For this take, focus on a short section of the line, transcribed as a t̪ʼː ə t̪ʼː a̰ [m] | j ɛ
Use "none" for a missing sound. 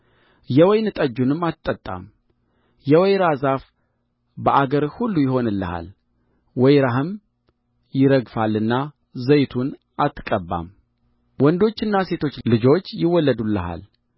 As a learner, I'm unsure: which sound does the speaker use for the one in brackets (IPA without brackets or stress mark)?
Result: m